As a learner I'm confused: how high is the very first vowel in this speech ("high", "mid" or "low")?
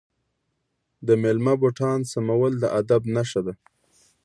mid